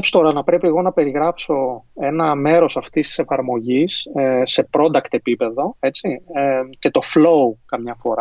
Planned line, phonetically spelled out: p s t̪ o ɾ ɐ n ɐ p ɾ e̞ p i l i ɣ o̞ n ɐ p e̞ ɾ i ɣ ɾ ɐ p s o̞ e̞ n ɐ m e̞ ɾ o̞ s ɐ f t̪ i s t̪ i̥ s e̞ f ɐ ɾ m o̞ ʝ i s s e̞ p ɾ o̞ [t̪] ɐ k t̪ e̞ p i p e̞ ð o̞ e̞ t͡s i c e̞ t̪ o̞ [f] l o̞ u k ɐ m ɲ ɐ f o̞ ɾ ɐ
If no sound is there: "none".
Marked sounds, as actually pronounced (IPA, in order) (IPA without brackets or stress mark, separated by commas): d̪, f